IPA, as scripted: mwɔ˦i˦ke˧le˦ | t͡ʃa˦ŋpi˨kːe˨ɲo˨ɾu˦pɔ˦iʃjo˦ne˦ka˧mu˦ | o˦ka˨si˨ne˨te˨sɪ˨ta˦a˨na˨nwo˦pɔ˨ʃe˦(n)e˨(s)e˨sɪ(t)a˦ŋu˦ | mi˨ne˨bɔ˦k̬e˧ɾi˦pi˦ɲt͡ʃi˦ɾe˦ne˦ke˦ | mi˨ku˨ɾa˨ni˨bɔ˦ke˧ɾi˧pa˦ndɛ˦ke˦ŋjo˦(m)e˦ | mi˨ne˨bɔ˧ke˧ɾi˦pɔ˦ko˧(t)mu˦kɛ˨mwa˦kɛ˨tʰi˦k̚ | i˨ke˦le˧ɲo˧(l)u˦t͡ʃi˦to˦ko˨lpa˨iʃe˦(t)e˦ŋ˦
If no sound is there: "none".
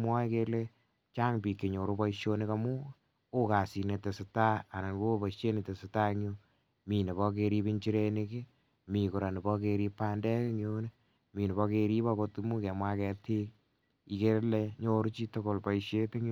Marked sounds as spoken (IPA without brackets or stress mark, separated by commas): n, t, t, n, t, ɾ, t